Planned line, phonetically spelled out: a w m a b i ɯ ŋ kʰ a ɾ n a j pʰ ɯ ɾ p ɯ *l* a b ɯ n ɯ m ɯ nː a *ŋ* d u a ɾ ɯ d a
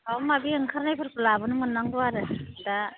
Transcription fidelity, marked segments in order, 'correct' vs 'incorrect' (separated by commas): correct, correct